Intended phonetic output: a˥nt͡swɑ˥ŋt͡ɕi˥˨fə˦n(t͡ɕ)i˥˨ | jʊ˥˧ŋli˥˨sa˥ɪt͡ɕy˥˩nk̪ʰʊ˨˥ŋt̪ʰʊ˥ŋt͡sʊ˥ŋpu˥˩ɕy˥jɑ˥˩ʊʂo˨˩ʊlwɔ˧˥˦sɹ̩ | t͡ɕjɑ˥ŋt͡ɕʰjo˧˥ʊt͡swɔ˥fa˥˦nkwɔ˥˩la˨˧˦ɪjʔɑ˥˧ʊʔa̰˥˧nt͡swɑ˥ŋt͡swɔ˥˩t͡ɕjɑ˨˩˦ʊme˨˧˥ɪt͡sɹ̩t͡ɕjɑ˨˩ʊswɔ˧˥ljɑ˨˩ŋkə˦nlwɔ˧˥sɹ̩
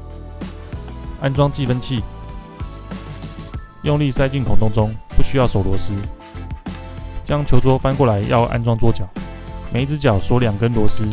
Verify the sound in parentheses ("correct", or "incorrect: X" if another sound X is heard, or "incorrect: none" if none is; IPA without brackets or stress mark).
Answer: incorrect: t͡ɕʰ